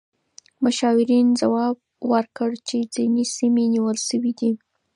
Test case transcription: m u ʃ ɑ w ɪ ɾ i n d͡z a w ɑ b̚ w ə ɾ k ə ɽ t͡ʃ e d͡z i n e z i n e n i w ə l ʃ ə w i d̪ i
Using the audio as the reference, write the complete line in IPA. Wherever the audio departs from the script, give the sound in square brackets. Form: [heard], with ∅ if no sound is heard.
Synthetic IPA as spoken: m [ʊ] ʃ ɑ w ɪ ɾ i n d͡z a w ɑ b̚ w ə ɾ k ə ɽ t͡ʃ e d͡z i n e [s] i [m] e n i w ə l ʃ ə w i d̪ i